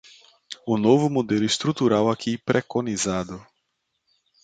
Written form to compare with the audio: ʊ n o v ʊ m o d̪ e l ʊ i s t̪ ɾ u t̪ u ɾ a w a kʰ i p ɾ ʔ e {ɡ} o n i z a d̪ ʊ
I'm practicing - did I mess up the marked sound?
yes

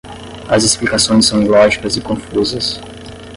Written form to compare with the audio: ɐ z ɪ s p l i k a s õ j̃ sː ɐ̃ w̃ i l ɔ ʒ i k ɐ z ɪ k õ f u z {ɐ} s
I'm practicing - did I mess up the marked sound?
no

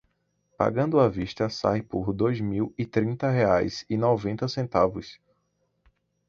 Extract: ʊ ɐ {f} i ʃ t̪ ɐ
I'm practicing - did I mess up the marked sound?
yes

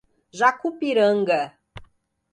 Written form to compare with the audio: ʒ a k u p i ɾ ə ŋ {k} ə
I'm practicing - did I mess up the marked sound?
yes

